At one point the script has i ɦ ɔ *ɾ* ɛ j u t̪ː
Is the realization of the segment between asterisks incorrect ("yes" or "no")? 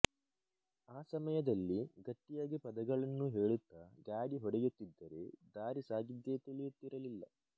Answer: yes